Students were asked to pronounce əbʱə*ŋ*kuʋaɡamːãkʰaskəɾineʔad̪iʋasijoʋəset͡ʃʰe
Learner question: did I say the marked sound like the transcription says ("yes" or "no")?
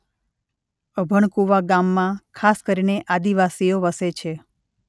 no